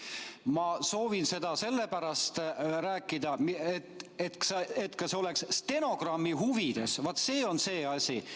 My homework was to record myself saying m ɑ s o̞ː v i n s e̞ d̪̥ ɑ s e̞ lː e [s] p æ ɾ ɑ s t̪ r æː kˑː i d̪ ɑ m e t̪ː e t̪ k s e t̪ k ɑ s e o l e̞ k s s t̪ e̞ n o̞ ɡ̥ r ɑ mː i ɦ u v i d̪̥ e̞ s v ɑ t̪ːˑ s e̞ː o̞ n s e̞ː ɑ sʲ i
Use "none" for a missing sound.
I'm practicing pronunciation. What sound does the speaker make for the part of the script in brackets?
none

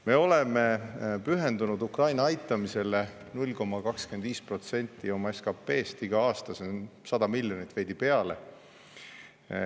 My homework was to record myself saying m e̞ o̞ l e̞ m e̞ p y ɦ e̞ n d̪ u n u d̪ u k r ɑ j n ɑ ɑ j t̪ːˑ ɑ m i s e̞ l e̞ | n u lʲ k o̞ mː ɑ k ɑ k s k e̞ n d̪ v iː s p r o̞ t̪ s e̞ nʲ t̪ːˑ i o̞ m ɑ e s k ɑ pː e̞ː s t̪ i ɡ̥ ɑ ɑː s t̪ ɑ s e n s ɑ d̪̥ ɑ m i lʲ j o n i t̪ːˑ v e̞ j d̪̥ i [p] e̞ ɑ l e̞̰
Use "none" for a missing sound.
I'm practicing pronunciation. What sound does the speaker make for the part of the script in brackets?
p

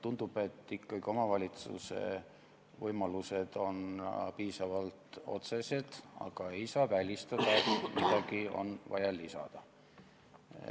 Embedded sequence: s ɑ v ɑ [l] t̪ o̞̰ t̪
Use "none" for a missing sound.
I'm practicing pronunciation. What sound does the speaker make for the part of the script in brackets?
l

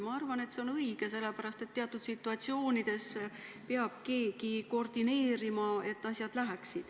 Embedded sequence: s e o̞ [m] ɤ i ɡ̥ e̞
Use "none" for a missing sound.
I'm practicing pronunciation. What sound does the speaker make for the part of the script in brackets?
n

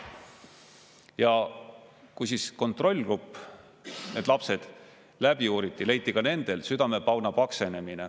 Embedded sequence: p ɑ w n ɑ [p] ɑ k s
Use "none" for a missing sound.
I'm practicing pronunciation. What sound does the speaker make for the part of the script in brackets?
p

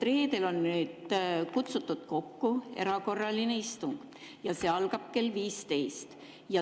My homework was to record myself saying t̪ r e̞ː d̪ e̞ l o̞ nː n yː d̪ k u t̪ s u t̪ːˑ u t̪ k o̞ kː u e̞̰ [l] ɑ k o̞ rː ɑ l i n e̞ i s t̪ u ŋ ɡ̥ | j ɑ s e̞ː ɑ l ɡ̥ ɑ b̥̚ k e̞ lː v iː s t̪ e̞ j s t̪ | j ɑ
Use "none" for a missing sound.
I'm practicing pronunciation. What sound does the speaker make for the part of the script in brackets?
ɾ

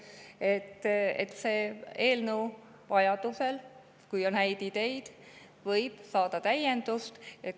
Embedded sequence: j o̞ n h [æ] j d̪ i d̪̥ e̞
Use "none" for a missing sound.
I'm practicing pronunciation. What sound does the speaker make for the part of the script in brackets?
æ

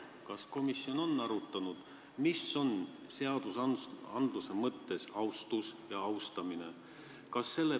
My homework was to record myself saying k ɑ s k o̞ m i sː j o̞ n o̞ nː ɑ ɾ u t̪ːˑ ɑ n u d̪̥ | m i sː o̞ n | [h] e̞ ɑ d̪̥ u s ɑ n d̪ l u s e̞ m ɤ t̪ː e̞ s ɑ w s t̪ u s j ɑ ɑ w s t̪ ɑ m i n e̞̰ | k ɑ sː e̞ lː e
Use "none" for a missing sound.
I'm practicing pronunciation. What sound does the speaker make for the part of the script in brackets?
s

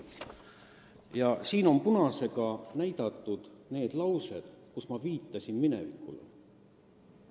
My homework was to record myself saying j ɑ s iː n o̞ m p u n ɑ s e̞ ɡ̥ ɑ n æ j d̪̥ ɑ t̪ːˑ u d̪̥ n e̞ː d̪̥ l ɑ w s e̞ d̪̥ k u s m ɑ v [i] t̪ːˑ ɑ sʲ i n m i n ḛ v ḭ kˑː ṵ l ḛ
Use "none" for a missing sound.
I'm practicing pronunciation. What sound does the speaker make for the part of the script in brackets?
iː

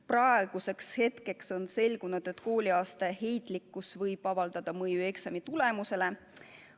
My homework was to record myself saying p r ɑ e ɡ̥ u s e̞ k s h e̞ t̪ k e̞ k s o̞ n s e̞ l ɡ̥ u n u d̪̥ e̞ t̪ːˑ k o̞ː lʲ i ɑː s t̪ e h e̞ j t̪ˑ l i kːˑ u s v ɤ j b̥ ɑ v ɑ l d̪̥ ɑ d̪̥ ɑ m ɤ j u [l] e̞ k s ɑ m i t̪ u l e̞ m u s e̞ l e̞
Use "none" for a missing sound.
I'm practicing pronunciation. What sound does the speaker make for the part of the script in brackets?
none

